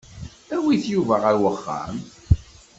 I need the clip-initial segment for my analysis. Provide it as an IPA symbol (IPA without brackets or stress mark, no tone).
æ